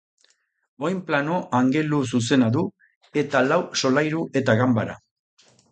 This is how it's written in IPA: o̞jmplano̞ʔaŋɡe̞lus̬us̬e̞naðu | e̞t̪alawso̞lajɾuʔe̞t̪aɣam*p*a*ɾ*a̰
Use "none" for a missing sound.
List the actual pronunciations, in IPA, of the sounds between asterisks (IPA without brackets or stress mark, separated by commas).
b, ɾ